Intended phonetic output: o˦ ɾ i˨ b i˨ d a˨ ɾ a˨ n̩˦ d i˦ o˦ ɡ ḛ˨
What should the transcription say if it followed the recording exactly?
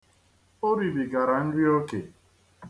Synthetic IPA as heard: o˦ ɾ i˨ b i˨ ɡ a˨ ɾ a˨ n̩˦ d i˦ o˦ k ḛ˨